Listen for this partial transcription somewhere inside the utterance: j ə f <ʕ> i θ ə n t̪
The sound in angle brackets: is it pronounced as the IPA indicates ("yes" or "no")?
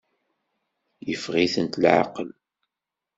no